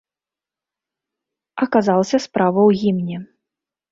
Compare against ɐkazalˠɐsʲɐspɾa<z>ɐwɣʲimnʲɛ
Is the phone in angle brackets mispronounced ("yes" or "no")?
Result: yes